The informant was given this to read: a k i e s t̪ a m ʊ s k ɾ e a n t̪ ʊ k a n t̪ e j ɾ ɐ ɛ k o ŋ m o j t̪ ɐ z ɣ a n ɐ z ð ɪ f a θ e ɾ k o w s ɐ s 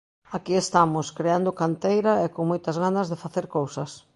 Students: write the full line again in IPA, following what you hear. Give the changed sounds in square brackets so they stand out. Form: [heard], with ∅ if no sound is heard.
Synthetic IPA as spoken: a k i e s t̪ a m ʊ s k ɾ e a n [d̪] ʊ k a n t̪ e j ɾ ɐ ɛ k o ŋ m o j t̪ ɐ z ɣ a n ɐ z ð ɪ f a θ e ɾ k o w s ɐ s